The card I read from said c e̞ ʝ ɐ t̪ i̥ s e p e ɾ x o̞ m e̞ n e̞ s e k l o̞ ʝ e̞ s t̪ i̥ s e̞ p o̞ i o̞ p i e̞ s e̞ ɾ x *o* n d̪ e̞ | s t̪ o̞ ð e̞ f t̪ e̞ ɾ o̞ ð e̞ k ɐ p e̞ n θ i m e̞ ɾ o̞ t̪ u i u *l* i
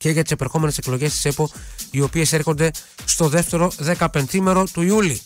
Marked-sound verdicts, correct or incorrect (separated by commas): correct, correct